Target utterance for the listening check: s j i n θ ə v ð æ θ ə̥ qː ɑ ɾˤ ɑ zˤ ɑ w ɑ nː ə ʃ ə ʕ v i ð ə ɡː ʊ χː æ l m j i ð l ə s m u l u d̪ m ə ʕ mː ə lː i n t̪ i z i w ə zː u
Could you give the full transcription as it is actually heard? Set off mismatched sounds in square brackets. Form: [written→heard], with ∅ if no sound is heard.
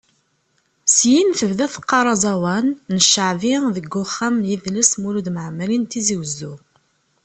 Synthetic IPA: s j i n θ ə v ð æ θ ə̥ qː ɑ ɾˤ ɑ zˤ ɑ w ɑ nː ə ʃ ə ʕ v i ð ə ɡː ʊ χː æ [l→∅] m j i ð l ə s m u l u d̪ m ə ʕ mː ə [lː→l] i n t̪ i z i w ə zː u